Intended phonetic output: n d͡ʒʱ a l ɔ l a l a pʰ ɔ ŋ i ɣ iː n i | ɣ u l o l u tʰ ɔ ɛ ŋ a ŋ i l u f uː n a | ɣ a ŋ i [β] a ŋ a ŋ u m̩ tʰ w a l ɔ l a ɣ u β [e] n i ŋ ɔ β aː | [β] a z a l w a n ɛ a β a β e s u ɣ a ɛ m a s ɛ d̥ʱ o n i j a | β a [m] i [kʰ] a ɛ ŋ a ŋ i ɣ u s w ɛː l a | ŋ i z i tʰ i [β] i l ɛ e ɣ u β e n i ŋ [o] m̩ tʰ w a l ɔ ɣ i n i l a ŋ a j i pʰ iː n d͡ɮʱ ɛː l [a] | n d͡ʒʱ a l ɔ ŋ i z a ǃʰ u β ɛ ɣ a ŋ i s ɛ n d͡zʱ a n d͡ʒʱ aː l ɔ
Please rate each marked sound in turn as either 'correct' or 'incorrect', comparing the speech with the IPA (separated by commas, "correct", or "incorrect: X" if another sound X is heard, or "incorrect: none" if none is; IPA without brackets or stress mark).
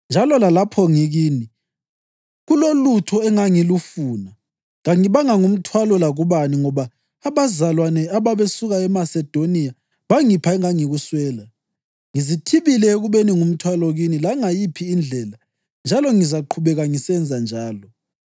correct, incorrect: a, correct, incorrect: ŋ, incorrect: pʰ, correct, incorrect: u, correct